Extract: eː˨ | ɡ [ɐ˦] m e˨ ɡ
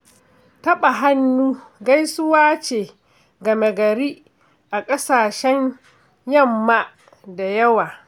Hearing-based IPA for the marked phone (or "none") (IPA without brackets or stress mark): ɐ˨